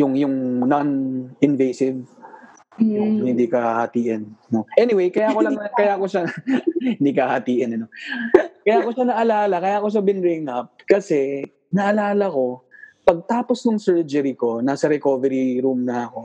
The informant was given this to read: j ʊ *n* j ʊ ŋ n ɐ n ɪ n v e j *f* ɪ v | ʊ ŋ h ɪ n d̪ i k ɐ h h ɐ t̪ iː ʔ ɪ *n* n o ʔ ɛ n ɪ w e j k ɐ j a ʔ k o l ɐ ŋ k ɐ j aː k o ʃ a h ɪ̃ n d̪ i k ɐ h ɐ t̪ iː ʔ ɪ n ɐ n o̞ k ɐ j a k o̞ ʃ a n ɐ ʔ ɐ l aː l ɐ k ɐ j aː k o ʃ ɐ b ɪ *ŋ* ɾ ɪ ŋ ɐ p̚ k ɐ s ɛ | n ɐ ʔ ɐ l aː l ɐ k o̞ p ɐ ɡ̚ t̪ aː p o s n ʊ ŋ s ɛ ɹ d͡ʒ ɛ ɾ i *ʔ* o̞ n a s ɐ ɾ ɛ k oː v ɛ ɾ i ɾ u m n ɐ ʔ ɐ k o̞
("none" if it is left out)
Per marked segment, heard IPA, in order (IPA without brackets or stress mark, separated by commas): ŋ, s, n, n, k